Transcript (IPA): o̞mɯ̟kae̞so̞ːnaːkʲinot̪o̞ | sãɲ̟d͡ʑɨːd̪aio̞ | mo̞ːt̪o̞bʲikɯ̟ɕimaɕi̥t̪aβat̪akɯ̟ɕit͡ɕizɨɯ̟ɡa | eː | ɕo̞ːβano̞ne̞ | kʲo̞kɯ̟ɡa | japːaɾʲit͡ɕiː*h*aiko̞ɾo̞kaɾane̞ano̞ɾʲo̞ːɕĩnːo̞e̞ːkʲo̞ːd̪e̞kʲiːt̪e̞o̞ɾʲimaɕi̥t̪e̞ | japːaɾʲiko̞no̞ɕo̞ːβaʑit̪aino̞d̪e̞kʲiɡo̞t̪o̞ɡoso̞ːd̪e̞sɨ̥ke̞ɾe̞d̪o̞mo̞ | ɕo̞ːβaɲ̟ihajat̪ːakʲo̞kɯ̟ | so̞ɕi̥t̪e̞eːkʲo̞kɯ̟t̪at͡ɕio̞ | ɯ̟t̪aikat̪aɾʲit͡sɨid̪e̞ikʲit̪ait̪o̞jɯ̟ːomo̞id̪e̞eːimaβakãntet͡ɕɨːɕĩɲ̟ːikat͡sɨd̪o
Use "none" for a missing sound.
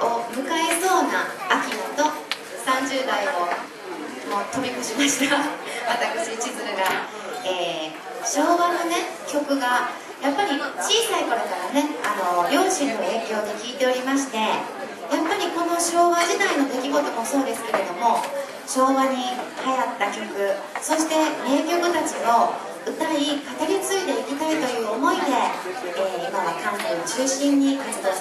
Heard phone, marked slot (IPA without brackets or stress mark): s